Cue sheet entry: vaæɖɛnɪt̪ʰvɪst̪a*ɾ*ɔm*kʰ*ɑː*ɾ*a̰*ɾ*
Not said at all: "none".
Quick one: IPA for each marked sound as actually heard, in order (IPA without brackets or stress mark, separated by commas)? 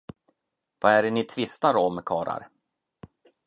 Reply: ɾ, kʰ, ɾ, ɾ